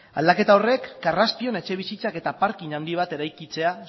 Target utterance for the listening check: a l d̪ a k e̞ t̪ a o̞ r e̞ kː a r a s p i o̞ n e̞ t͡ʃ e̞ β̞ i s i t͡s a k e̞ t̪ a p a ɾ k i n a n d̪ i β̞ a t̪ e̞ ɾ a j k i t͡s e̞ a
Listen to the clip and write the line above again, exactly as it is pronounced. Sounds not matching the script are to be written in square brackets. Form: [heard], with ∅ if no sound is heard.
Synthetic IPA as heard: a l d̪ a k e̞ t̪ a o̞ r e̞ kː a r a s p i o̞ n e̞ t͡ʃ e̞ β̞ i s i t͡s a k e̞ t̪ a p a ɾ k i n a n d̪ i β̞ a t̪ e̞ ɾ a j k i t͡s e̞ a

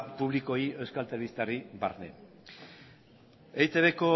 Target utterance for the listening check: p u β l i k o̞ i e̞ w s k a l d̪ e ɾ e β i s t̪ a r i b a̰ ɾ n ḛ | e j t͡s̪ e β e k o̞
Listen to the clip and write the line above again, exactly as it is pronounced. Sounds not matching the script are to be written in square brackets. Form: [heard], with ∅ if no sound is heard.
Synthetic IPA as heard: p u β l i k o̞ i e̞ w s k a l [t̪] e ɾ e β i s t̪ a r i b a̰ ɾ n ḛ | e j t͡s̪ e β e k o̞

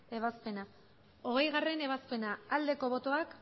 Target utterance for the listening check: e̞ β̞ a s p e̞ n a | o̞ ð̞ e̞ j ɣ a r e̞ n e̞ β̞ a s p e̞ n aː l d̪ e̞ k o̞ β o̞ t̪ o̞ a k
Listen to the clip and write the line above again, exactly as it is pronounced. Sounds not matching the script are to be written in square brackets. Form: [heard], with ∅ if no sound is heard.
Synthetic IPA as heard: e̞ β̞ a s p e̞ n a | o̞ [ɣ̞] e̞ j ɣ a r e̞ n e̞ β̞ a s p e̞ n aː l d̪ e̞ k o̞ β o̞ t̪ o̞ a k

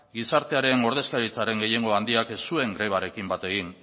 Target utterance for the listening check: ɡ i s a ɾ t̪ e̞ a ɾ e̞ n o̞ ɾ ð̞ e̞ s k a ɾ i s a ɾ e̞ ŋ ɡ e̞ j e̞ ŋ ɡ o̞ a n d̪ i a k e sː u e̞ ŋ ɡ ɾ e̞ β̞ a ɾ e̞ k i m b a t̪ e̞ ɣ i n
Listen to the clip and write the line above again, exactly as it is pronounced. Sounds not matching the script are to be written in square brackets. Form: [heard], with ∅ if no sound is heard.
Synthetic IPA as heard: ɡ i s a ɾ t̪ e̞ a ɾ e̞ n o̞ ɾ ð̞ e̞ s k a ɾ i [t͡s] a ɾ e̞ ŋ ɡ e̞ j e̞ ŋ ɡ o̞ a n d̪ i a k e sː u e̞ ŋ ɡ ɾ e̞ β̞ a ɾ e̞ k i m b a t̪ e̞ ɣ i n

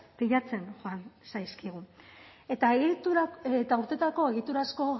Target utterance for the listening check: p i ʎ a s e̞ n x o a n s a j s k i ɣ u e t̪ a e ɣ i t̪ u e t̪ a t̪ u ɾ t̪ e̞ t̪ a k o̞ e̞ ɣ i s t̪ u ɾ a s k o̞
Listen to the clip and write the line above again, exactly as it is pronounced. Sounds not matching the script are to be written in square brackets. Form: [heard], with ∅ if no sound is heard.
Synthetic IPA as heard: p i ʎ a [t͡s] e̞ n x o a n s a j s k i ɣ u e t̪ a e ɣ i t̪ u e t̪ a [∅] u ɾ t̪ e̞ t̪ a k o̞ e̞ ɣ i [∅] t̪ u ɾ a s k o̞

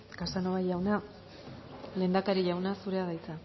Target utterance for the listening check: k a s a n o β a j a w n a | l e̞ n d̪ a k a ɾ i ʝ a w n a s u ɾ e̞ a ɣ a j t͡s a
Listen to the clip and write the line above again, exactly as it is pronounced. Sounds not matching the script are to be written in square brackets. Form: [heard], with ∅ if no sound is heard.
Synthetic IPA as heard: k a s a n o β a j a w n a | l e̞ n d̪ a k a ɾ i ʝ a w n a s u ɾ e̞ a [ð] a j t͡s a

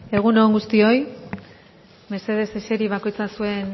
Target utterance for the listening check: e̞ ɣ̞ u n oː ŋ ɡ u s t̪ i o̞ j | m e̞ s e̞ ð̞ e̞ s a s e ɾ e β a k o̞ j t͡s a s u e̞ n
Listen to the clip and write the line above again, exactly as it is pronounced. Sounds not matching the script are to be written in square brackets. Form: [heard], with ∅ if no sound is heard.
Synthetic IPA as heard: e̞ ɣ̞ u n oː ŋ ɡ u s t̪ i o̞ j | m e̞ s e̞ ð̞ e̞ s [e] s e ɾ [i] β a k o̞ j t͡s a s u e̞ n

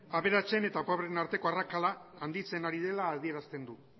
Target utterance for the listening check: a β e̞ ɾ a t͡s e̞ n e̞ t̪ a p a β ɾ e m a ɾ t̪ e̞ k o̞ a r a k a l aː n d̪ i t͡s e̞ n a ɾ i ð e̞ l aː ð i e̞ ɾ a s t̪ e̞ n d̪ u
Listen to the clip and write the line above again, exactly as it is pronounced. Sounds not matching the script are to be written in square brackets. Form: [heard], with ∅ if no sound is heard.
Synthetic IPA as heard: a β e̞ ɾ a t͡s e̞ n e̞ t̪ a p a β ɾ e [n] a ɾ t̪ e̞ k o̞ a r a k a l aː n d̪ i t͡s e̞ n a ɾ i ð e̞ l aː ð i e̞ ɾ a s t̪ e̞ n d̪ u

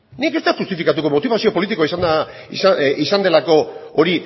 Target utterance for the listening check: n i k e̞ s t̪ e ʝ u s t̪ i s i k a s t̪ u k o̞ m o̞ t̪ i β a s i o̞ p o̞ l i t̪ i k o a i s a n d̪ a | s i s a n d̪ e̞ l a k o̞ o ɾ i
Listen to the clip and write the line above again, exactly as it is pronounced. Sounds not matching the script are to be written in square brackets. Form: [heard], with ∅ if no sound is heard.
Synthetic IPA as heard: n i k e̞ s t̪ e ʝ u s t̪ i [f] i k a [∅] t̪ u k o̞ m o̞ t̪ i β a s i o̞ p o̞ l i t̪ i k o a i s a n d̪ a | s i s a n d̪ e̞ l a k o̞ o ɾ i

